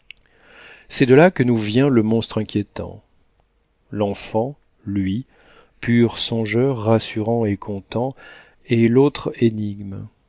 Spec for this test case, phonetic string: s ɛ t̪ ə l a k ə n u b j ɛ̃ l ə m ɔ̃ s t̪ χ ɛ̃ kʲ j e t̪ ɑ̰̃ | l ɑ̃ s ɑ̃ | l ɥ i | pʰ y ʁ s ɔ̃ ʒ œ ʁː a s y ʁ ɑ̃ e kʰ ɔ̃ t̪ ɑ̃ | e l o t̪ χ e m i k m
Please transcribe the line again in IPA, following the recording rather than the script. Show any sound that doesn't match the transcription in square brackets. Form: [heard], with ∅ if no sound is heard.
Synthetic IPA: s ɛ [d̪] ə l a k ə n u [v] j ɛ̃ l ə m ɔ̃ s t̪ χ ɛ̃ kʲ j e t̪ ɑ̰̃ | l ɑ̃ [f] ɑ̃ | l ɥ i | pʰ y ʁ s ɔ̃ ʒ œ ʁː a s y ʁ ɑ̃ e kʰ ɔ̃ t̪ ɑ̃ | e l o t̪ χ e [n] i [ɡ] m